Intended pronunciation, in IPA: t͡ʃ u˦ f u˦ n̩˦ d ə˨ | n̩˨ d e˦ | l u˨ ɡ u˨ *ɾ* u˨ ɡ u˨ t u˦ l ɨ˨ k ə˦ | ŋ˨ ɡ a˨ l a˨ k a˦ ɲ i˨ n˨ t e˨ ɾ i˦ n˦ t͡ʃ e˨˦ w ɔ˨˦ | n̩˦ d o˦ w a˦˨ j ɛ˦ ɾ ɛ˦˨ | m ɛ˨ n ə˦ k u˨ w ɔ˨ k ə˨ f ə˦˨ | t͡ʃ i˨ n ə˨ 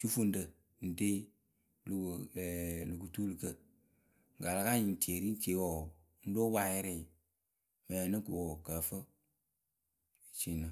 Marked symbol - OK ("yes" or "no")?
no